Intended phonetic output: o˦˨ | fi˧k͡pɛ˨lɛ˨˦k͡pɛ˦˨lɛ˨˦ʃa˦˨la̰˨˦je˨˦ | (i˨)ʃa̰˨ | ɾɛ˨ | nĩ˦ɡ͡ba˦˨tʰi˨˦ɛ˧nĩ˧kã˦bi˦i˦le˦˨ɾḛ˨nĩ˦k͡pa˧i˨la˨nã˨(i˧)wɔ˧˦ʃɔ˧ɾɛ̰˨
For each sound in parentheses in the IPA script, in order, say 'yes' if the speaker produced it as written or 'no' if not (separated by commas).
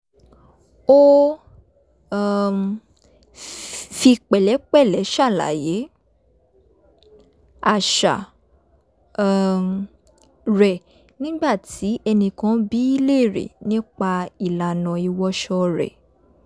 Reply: no, yes